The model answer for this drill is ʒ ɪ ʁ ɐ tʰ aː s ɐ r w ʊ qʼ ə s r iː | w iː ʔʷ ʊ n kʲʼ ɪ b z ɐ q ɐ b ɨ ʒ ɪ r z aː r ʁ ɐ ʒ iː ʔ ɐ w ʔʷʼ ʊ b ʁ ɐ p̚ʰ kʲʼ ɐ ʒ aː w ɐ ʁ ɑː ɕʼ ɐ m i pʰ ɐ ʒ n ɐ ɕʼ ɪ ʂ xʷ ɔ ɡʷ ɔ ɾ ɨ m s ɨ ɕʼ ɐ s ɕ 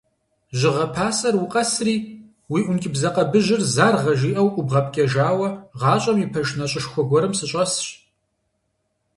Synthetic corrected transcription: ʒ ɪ ʁ ɐ pʰ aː s ɐ r w ʊ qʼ ɐ s r iː | w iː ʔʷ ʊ n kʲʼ ɪ b z ɐ q ɐ b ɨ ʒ ɪ r z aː r ʁ ɐ ʒ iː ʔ ɐ w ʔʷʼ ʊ b ʁ ɐ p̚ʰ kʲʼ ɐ ʒ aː w ɐ ʁ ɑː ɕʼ ɐ m i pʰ ɐ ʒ n ɐ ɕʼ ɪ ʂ xʷ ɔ ɡʷ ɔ ɾ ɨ m s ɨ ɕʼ ɐ s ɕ